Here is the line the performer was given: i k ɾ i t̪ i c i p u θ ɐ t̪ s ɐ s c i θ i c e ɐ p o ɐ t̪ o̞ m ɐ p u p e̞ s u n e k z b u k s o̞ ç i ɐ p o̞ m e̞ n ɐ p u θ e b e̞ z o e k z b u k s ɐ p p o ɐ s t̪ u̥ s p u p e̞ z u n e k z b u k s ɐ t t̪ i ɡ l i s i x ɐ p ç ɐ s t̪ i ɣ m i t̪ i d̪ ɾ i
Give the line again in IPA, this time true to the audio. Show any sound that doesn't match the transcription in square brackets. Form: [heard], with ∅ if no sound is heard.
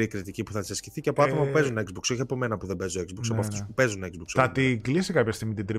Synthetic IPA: i k ɾ i t̪ i c i p u θ ɐ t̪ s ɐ s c i θ i c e ɐ p o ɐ t̪ o̞ m ɐ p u p e̞ [z] u n e k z b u k s o̞ ç i ɐ p o̞ m e̞ n ɐ p u [ð] e b e̞ z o e k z b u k s ɐ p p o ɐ [f] t̪ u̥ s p u p e̞ z u n e k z b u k s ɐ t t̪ i ɡ l i s i [k] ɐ p ç ɐ s t̪ i ɣ m i t̪ i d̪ ɾ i